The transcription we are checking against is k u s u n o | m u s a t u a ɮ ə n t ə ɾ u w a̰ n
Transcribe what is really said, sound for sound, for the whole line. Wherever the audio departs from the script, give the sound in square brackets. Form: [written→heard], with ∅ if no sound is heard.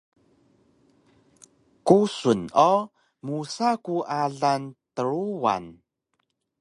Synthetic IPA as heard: k u s u n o | m u s a [t→k] u a ɮ [ə→a] n t ə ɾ u w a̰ n